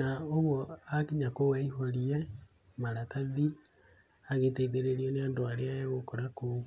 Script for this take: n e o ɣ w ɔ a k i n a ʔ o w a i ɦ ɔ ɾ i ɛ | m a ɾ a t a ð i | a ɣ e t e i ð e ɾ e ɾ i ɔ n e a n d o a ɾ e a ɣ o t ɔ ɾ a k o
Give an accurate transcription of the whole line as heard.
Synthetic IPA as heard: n a o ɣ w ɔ a k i ɲ a k o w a i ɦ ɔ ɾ i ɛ | m a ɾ a t a ð i | a ɣ e t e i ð e ɾ e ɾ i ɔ n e a n d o a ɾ e a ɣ o k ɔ ɾ a k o